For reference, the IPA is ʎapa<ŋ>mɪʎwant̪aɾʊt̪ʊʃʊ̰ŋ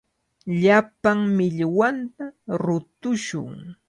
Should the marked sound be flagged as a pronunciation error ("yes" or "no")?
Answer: no